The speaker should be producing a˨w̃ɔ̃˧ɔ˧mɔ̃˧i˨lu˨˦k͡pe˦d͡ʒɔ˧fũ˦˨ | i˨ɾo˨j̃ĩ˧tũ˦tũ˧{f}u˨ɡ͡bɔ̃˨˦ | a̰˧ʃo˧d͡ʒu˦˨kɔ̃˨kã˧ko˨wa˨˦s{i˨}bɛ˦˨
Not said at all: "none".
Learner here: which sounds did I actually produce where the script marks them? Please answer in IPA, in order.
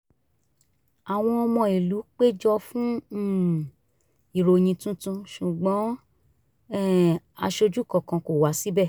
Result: ʃ, i˦

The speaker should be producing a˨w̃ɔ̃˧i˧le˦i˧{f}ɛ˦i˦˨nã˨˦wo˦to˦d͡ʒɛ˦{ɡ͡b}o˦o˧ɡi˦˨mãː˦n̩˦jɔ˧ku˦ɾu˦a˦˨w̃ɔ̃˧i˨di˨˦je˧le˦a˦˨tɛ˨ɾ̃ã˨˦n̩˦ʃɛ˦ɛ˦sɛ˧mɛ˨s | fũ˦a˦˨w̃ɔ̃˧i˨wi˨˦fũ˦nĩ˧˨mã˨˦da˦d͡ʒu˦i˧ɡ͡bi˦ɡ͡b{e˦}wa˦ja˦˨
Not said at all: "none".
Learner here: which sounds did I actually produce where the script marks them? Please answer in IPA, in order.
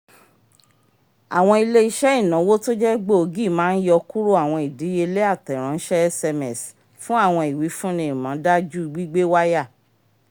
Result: ʃ, ɡ͡b, e˦

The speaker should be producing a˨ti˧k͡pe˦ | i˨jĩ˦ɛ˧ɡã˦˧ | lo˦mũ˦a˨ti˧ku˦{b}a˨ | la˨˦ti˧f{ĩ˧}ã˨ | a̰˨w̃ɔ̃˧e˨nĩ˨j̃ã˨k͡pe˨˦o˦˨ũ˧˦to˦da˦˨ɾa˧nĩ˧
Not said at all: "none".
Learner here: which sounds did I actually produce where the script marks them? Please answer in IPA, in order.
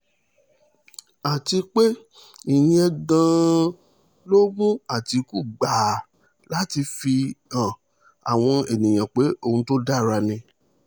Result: ɡ͡b, i˧

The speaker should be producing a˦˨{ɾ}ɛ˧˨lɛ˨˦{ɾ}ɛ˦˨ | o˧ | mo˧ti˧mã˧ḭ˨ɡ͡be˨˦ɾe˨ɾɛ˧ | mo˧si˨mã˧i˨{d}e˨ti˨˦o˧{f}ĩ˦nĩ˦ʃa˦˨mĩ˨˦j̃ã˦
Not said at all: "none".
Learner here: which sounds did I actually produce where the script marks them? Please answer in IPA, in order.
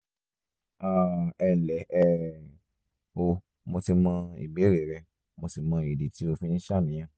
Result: none, none, d, f

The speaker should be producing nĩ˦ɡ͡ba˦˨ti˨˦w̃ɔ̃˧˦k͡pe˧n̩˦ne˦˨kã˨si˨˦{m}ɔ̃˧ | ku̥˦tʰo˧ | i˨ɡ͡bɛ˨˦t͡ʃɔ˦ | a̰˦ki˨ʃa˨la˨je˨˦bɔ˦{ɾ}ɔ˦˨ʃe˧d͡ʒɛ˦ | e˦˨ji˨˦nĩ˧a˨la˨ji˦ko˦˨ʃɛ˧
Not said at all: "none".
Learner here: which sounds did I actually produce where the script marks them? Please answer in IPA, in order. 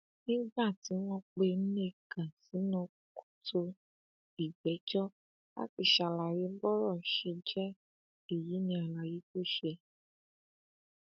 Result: n, ɾ

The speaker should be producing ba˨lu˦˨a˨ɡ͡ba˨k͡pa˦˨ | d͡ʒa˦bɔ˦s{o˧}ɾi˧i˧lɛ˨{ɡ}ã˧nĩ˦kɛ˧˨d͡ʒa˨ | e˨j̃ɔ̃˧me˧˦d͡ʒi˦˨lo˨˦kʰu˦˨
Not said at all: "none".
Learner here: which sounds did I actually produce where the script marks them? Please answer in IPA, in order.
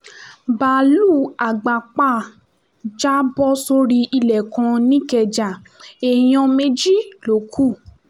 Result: o˧, k

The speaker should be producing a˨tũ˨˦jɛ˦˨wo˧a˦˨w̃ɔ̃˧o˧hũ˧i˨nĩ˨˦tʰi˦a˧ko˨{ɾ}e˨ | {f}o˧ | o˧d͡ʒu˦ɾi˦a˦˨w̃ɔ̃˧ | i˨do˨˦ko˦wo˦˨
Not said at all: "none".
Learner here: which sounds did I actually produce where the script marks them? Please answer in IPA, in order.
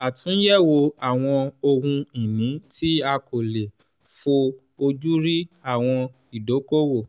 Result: l, f

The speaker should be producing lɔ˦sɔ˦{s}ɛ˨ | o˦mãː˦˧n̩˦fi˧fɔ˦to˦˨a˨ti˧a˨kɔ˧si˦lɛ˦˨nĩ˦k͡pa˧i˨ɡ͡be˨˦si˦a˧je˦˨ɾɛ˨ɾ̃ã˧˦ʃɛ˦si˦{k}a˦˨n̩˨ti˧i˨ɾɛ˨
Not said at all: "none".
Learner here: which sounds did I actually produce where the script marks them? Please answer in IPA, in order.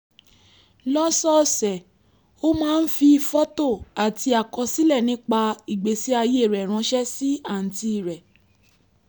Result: s, none

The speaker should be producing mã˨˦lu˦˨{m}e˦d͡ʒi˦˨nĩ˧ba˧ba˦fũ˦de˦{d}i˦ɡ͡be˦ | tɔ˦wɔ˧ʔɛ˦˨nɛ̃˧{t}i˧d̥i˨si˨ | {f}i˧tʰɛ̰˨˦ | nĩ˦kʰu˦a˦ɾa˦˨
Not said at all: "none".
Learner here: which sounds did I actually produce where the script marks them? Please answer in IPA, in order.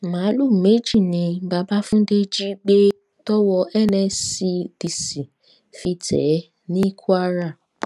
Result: m, d͡ʒ, s, f

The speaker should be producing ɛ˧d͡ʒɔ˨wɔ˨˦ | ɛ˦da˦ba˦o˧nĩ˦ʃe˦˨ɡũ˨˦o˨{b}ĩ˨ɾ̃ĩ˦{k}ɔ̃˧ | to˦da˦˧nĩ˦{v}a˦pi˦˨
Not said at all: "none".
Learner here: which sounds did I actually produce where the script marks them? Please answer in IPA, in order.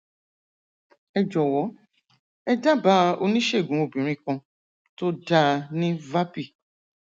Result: b, k, v

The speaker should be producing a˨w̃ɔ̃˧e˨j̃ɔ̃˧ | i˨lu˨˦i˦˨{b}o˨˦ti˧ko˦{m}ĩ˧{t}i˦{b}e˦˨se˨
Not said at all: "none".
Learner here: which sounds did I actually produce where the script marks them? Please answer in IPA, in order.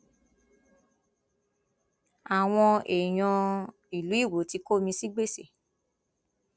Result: w, m, s, ɡ͡b

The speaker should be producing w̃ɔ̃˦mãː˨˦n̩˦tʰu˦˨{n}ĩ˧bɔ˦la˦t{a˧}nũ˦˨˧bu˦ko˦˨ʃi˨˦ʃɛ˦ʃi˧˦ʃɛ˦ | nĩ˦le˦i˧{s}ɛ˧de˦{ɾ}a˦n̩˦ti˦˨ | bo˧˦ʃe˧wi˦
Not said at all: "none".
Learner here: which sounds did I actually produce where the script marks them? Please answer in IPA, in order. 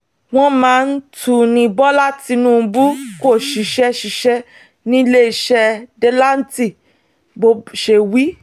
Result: n, i˧, ʃ, l

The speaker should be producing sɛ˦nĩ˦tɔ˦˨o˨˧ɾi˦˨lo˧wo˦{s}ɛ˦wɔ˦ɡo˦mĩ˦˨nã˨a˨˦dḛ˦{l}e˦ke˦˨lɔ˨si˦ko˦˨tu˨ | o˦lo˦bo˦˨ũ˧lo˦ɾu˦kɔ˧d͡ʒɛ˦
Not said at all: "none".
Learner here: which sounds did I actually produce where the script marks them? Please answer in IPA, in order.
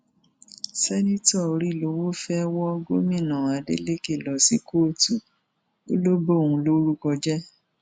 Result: f, l

